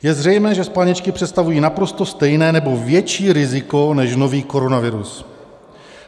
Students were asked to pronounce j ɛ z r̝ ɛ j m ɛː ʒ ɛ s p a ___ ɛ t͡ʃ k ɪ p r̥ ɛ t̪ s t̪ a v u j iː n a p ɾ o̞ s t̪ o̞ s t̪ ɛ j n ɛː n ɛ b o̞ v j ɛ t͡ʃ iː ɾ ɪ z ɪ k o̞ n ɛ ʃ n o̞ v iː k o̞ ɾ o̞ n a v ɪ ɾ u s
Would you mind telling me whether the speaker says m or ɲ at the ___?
ɲ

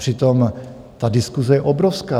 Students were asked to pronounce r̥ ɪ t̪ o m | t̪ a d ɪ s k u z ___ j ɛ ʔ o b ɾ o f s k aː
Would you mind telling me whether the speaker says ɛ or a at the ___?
ɛ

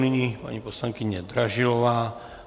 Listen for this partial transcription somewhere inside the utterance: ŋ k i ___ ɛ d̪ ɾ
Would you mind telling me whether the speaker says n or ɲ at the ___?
ɲ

